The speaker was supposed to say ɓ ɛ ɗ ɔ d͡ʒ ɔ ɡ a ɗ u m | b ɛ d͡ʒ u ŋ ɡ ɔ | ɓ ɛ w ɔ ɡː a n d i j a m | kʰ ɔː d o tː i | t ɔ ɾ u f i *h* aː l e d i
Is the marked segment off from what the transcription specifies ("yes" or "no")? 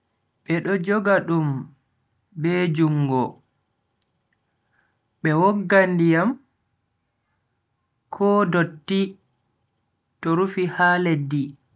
no